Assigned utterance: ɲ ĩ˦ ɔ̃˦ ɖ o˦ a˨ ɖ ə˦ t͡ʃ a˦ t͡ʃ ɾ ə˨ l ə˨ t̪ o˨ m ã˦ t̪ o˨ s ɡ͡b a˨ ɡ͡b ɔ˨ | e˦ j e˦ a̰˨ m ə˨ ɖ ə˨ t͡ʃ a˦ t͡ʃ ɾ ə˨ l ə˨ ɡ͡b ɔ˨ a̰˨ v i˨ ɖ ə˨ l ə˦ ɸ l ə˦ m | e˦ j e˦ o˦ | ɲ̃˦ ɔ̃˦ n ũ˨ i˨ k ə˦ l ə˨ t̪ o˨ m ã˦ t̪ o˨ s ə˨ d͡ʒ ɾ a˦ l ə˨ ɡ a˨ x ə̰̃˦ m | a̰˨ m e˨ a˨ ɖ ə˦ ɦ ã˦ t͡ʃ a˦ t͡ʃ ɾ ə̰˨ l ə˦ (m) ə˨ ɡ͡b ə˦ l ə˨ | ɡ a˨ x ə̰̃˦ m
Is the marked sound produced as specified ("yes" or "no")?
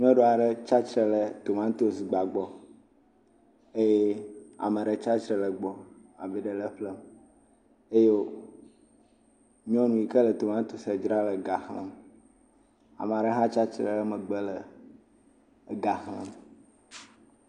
yes